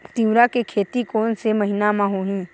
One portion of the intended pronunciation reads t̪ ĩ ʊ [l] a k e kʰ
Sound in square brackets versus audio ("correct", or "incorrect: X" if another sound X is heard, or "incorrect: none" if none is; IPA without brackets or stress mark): incorrect: ɾ